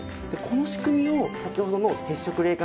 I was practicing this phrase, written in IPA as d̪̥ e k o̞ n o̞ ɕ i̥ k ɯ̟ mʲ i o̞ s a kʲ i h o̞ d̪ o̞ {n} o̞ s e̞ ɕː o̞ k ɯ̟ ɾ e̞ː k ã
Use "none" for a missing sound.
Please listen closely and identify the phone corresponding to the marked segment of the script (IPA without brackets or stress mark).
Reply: n